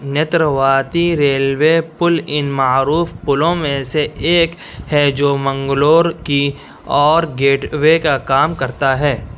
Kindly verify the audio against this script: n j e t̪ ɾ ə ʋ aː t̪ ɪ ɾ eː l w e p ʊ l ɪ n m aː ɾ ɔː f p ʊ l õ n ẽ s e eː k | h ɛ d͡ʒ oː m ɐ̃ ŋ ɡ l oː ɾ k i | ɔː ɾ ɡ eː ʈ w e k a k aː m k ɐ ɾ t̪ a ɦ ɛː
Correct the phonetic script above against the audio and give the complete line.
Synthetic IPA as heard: n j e t̪ ɾ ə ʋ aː t̪ i ɾ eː l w e p ʊ l ɪ n m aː ɾ uː f p ʊ l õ m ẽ s e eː k | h ɛ d͡ʒ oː m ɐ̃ ŋ ɡ l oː ɾ k i | ɔː ɾ ɡ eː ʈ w e k a k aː m k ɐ ɾ t̪ a ɦ ɛː